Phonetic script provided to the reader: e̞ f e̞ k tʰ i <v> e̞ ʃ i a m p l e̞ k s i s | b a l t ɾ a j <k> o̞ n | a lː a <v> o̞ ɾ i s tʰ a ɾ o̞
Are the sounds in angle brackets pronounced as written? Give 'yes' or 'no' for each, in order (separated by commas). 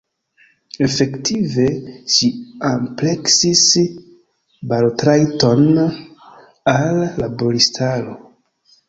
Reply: yes, no, no